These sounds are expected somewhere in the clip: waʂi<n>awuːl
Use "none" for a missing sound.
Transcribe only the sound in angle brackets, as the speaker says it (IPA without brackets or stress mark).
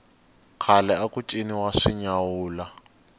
ɲ